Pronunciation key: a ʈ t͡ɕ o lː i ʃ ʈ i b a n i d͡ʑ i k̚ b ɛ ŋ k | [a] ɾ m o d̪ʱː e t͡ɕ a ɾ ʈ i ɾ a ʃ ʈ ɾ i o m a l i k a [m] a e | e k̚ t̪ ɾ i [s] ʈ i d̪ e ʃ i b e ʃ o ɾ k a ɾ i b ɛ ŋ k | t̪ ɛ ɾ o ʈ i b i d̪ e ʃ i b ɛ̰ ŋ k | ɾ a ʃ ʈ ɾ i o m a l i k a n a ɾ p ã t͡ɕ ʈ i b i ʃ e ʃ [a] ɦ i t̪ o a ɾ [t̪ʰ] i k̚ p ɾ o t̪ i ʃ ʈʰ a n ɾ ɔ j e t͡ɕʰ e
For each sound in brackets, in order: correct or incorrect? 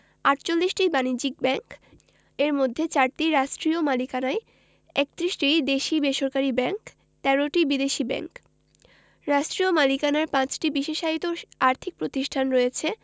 incorrect, incorrect, incorrect, correct, correct

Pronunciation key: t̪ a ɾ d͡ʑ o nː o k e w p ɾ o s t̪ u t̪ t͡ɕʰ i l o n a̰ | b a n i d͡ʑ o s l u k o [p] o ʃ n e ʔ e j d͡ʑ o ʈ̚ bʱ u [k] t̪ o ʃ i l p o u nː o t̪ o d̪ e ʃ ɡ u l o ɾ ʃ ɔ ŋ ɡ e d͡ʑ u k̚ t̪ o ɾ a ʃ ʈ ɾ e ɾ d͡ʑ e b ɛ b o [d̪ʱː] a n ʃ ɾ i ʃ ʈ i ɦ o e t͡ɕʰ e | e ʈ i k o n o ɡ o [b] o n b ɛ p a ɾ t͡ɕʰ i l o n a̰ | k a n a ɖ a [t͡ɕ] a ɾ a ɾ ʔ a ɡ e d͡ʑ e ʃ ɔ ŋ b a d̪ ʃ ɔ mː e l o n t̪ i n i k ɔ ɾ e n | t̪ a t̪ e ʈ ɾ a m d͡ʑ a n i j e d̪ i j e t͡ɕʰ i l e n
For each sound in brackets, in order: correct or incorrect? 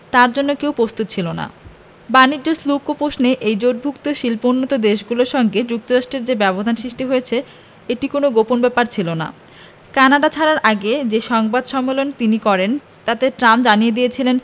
correct, correct, incorrect, incorrect, incorrect

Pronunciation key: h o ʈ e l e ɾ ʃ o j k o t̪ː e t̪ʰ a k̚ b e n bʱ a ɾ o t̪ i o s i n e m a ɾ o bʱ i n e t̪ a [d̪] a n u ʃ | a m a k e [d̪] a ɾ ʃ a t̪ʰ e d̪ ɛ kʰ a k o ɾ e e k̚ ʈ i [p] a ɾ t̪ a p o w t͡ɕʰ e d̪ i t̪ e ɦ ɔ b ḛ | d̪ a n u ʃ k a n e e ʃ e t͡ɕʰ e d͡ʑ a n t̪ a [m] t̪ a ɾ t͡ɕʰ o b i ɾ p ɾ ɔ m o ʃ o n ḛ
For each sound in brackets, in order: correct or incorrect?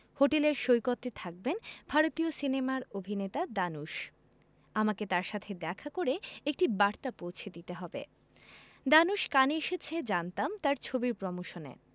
correct, incorrect, incorrect, correct

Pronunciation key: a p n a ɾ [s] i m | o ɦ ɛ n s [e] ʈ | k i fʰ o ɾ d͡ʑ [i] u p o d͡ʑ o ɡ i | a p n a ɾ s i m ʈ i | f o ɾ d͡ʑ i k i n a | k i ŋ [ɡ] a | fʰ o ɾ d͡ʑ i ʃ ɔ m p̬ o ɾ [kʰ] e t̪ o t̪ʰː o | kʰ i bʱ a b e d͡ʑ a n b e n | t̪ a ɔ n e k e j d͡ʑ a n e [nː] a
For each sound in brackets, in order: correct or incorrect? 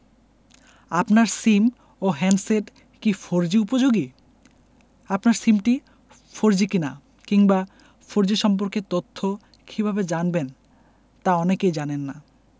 correct, correct, correct, incorrect, incorrect, correct

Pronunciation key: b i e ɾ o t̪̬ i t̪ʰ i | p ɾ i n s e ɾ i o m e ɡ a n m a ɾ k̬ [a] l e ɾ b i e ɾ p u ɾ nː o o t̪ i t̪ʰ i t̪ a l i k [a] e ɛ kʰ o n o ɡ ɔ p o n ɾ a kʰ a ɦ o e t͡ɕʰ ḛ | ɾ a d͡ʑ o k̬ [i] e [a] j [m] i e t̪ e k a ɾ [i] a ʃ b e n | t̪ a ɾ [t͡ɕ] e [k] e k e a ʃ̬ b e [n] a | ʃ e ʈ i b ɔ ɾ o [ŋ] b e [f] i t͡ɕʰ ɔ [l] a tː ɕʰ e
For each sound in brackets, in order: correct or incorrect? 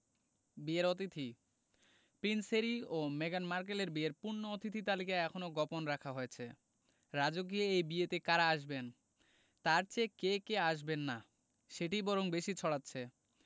incorrect, correct, correct, incorrect, incorrect, incorrect, correct, correct, incorrect, correct, incorrect, incorrect

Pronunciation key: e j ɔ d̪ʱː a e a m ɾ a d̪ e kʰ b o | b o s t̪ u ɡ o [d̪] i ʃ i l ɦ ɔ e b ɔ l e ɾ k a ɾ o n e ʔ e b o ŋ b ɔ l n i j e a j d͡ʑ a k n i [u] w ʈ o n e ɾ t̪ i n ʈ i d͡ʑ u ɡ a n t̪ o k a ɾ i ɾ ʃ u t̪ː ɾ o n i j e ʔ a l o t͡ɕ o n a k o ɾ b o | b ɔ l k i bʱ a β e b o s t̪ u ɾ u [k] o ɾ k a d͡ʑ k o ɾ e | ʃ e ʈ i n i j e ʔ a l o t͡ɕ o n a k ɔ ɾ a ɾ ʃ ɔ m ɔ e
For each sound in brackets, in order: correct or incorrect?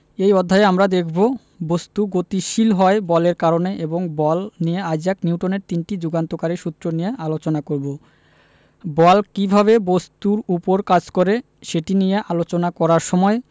incorrect, correct, incorrect

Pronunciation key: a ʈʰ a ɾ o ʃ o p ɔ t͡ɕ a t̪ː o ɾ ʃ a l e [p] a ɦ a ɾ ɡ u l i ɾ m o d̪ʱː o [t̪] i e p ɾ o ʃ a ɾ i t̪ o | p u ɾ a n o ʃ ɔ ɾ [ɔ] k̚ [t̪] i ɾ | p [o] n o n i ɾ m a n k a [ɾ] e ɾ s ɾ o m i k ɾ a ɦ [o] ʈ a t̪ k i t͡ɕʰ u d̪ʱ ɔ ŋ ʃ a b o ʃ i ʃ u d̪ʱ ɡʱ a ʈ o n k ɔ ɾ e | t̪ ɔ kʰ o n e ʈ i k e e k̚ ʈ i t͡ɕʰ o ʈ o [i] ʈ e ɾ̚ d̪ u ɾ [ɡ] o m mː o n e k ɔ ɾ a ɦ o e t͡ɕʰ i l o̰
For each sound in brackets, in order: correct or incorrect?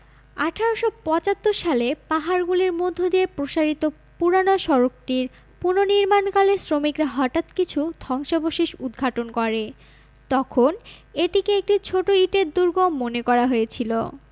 correct, incorrect, incorrect, correct, incorrect, incorrect, incorrect, correct, correct

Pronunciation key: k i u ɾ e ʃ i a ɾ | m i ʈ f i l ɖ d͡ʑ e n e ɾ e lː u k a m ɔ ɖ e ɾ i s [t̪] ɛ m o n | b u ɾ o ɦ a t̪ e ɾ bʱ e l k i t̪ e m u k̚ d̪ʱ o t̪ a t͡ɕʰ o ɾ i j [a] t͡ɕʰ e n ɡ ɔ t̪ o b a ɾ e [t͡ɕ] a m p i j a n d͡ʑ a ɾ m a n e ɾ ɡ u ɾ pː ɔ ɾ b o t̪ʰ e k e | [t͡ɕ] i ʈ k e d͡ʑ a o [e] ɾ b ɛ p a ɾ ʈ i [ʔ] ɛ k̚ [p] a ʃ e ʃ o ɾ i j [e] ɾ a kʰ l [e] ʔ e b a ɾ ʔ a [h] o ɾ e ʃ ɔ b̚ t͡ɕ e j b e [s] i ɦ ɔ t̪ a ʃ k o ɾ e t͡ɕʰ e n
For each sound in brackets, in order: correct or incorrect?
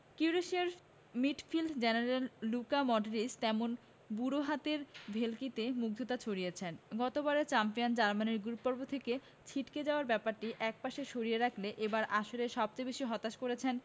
correct, incorrect, correct, incorrect, incorrect, correct, correct, correct, correct, incorrect, incorrect

